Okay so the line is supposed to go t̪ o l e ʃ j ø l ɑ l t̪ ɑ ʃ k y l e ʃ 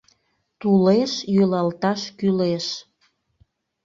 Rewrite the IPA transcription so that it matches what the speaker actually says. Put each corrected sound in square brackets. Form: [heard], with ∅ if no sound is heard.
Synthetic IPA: t̪ [u] l e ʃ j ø l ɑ l t̪ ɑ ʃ k y l e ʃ